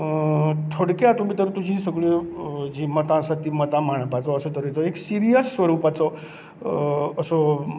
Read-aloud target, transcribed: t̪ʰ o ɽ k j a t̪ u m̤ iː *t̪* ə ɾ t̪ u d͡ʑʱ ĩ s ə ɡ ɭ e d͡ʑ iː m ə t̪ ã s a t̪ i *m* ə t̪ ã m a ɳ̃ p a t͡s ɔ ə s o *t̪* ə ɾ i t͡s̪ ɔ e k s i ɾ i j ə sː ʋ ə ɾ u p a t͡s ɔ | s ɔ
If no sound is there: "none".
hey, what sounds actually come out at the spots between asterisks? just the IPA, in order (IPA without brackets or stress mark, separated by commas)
t̪, m, t̪